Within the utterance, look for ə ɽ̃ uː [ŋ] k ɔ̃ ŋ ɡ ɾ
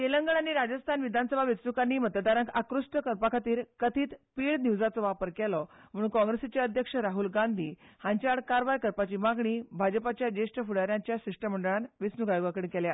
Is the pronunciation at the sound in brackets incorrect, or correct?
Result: incorrect